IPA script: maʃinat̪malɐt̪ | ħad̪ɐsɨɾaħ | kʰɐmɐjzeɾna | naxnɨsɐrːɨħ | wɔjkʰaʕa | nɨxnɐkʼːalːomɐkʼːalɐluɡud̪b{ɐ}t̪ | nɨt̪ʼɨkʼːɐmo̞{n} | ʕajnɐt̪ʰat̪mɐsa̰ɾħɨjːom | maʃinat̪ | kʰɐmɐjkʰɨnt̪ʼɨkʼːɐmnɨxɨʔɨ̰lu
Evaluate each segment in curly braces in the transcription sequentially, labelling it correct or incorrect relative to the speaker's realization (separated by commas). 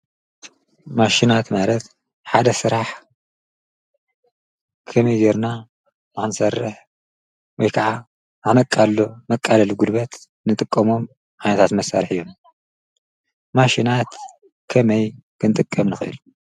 correct, incorrect